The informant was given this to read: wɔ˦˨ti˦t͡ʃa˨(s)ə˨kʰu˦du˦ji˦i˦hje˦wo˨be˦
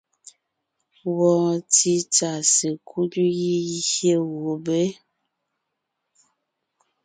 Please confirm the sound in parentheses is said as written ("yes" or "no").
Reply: yes